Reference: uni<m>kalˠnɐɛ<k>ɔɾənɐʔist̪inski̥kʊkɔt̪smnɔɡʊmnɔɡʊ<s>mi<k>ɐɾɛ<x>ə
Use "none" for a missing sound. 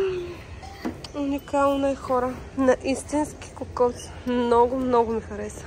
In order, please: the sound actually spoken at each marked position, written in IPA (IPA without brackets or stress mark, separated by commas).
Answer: none, x, none, x, s